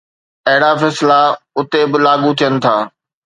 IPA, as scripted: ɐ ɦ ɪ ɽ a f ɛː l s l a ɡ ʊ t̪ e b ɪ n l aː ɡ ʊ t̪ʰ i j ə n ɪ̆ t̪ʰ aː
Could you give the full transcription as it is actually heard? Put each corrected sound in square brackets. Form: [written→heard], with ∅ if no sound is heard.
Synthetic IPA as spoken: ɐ ɦ ɪ ɽ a f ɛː [l→∅] s l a [ɡ→∅] ʊ t̪ e b ɪ [n→∅] l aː ɡ [ʊ→u] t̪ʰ i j ə n ɪ̆ t̪ʰ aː